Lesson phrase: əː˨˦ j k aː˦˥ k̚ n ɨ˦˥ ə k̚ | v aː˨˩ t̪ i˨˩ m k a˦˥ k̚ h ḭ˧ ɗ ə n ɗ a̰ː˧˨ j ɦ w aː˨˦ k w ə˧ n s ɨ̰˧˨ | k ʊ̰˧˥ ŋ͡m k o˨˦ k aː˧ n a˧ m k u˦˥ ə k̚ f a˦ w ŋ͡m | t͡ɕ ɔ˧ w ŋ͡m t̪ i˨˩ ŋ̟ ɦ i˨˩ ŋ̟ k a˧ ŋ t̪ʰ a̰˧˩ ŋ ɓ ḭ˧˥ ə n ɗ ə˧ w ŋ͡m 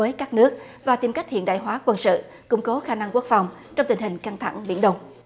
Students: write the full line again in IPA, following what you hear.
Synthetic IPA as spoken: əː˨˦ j k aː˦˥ k̚ n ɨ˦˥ ə k̚ | v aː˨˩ t̪ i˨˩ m k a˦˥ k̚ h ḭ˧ ə n ɗ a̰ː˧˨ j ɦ w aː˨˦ k w ə˧ n s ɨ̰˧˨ | k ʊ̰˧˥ ŋ͡m k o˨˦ x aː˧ n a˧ ŋ k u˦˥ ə k̚ f a˨˩ w ŋ͡m | t͡ɕ ɔ˧ w ŋ͡m t̪ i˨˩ ŋ̟ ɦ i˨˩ ŋ̟ k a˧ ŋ t̪ʰ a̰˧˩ ŋ ɓ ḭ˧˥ ə n ɗ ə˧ w ŋ͡m